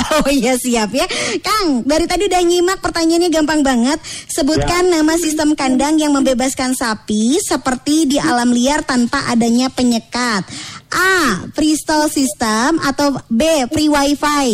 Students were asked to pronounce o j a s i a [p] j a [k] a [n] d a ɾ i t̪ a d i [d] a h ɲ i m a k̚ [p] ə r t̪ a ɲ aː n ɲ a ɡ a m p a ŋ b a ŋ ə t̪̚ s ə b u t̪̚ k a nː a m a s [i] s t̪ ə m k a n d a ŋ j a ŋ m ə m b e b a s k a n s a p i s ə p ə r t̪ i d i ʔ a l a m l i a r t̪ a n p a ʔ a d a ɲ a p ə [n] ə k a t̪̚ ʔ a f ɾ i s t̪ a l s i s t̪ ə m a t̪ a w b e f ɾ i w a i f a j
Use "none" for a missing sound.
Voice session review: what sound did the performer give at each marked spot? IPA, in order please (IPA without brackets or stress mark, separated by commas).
p, k, ŋ, d, p, i, ɲ